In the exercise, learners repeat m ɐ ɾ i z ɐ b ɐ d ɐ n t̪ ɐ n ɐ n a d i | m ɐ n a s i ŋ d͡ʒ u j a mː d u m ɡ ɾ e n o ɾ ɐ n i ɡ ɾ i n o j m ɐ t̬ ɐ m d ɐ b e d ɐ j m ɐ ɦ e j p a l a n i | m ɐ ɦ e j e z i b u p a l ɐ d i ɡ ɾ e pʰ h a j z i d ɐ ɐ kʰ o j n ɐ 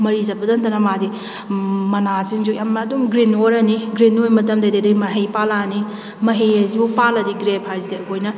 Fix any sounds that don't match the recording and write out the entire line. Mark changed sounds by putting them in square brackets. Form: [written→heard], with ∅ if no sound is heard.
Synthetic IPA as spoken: m ɐ ɾ i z ɐ b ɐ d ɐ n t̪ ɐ n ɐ [n→m] a d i | m ɐ n a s i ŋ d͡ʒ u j a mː d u m ɡ ɾ [e→i] n o ɾ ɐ n i ɡ ɾ i n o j m ɐ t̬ ɐ m d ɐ [b→d] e d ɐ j m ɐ ɦ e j p a l a n i | m ɐ ɦ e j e z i b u p a l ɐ d i ɡ ɾ e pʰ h a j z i d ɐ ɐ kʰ o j n ɐ